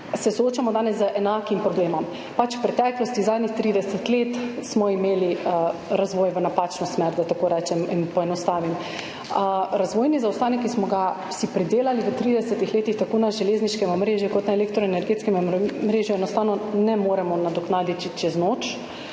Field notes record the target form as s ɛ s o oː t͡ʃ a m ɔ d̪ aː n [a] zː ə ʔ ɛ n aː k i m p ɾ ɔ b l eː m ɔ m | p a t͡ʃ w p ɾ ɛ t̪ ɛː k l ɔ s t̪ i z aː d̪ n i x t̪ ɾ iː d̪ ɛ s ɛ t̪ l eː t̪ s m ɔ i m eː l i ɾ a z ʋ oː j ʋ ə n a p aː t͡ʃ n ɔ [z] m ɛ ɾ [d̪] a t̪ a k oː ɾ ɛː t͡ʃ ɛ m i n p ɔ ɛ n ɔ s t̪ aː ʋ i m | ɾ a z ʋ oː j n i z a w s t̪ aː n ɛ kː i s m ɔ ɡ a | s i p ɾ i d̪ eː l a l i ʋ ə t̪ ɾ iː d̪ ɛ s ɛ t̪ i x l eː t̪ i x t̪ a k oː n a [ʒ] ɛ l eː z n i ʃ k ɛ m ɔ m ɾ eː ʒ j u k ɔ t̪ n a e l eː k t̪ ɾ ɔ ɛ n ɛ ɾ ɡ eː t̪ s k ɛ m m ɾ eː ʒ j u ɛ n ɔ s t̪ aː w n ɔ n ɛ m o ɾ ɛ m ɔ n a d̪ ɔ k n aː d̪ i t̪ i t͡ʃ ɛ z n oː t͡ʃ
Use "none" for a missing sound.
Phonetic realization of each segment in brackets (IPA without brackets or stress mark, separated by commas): ɛ, s, d̪, ʒ